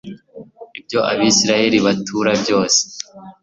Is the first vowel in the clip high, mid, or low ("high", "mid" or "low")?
high